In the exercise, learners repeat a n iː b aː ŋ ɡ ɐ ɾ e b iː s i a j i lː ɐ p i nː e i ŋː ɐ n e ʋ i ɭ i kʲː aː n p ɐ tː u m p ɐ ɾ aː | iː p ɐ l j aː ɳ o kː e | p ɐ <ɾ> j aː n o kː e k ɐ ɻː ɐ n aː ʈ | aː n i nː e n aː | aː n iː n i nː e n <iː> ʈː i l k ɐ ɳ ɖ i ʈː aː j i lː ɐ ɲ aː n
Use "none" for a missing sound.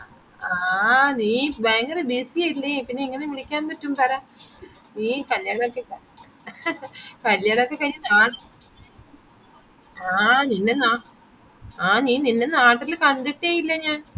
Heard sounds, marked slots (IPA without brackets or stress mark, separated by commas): l, aː